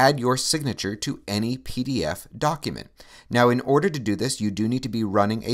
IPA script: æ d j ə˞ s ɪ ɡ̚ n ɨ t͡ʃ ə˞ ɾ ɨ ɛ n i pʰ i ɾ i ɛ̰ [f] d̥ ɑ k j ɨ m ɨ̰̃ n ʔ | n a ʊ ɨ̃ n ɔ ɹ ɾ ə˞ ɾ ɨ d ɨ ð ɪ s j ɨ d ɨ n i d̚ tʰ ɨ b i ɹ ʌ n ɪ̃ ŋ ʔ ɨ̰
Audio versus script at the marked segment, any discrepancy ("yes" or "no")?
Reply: no